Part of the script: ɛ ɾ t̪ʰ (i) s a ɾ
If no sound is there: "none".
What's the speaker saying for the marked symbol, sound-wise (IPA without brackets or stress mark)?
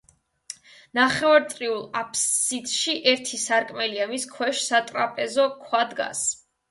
i